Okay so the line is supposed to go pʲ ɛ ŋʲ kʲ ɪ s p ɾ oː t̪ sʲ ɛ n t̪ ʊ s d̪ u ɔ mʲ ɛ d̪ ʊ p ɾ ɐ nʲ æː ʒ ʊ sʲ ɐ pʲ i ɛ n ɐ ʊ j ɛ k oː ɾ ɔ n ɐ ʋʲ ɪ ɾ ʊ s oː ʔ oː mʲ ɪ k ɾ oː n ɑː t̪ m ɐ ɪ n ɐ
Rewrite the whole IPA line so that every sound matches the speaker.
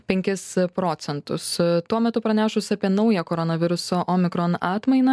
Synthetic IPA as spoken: pʲ ɛ ŋʲ kʲ ɪ s p ɾ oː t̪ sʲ ɛ n t̪ ʊ s t̪ u ɔ mʲ ɛ t̪ ʊ p ɾ ɐ nʲ æː ʃ ʊ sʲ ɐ pʲ i ɛ n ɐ ʊ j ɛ k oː ɾ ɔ n ɐ ʋʲ ɪ ɾ ʊ s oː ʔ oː mʲ ɪ k ɾ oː n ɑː t̪ m ɐ ɪ n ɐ

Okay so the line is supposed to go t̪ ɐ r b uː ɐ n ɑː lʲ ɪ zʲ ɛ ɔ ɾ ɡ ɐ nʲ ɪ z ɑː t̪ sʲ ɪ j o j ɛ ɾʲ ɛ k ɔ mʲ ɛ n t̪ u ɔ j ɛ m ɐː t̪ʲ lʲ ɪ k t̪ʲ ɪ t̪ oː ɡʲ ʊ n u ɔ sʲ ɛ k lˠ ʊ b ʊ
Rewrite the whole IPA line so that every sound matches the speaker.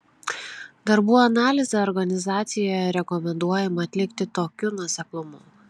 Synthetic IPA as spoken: d̪ ɐ ɾ b uː ɐ n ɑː lʲ ɪ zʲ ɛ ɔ ɾ ɡ ɐ nʲ ɪ z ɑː t̪ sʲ ɪ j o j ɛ ɾʲ ɛ k ɔ mʲ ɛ n d̪ u ɔ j ɛ m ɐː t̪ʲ lʲ ɪ k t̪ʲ ɪ t̪ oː kʲ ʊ n u ɔ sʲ ɛ k lˠ ʊ m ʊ

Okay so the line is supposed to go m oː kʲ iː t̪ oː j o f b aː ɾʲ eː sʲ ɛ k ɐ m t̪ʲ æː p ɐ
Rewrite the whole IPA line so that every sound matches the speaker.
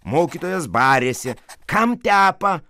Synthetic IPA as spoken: m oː kʲ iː t̪ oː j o s b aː ɾʲ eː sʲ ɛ k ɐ m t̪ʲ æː p ɐ

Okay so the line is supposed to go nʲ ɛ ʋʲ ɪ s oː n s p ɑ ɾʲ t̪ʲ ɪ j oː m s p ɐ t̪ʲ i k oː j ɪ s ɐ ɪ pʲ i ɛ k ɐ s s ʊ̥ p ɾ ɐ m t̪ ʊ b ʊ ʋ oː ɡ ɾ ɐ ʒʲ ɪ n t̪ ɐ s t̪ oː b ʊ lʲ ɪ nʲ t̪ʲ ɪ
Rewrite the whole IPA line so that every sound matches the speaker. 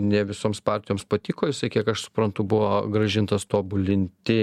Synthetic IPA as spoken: nʲ ɛ ʋʲ ɪ s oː m s p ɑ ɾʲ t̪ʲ ɪ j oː m s p ɐ t̪ʲ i k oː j ɪ s ɐ ɪ kʲ i ɛ k ɐ ʃ s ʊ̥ p ɾ ɐ n t̪ ʊ b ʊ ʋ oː ɡ ɾ ɐ ʒʲ ɪ n t̪ ɐ s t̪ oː b ʊ lʲ ɪ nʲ t̪ʲ ɪ

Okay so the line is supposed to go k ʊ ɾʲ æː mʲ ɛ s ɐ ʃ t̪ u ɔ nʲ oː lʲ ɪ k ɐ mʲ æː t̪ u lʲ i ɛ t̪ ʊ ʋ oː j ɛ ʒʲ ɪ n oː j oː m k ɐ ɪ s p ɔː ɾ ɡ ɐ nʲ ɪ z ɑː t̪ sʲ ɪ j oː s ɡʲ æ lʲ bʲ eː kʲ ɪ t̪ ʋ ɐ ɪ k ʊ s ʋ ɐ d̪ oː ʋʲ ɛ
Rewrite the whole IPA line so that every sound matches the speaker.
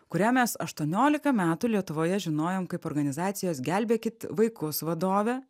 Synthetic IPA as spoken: k ʊ ɾʲ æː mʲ ɛ s ɐ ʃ t̪ u ɔ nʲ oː lʲ ɪ k ɐ mʲ æː t̪ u lʲ i ɛ t̪ ʊ ʋ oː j ɛ ʒʲ ɪ n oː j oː m k ɐ ɪ p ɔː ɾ ɡ ɐ nʲ ɪ z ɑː t̪ sʲ ɪ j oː s ɡʲ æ lʲ bʲ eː kʲ ɪ t̪ ʋ ɐ ɪ k ʊ s ʋ ɐ d̪ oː ʋʲ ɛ

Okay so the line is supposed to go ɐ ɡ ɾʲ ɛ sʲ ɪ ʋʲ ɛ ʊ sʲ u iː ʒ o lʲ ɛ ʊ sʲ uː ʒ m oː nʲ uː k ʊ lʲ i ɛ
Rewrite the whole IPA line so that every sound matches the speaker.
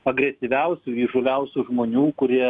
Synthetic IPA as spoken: ɐ ɡ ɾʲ ɛ sʲ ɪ ʋʲ ɛ ʊ sʲ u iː ʒ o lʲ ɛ ʊ sʲ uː ʒ m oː nʲ uː k ʊ ɾʲ i ɛ

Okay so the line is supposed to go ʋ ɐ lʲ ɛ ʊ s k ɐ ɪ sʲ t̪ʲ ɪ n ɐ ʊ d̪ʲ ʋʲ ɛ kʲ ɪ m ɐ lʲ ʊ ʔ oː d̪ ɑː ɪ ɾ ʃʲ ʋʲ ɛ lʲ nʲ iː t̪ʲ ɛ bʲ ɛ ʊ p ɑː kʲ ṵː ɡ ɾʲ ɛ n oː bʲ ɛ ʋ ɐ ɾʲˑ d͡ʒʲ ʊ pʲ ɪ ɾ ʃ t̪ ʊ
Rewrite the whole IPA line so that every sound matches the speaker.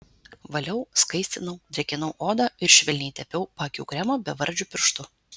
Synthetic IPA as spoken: ʋ ɐ lʲ ɛ ʊ s k ɐ ɪ sʲ t̪ʲ ɪ n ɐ ʊ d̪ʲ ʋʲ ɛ kʲ ɪ n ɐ ʊ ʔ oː d̪ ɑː ɪ ɾ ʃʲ ʋʲ ɛ lʲ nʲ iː t̪ʲ ɛ pʲ ɛ ʊ p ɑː kʲ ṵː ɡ ɾʲ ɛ m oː bʲ ɛ ʋ ɐ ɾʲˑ d͡ʒʲ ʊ pʲ ɪ ɾ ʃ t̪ ʊ

